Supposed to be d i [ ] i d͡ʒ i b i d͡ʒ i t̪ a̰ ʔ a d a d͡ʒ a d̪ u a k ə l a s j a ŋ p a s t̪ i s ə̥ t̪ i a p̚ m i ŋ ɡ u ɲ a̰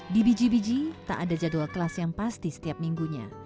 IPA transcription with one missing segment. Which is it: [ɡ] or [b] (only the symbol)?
b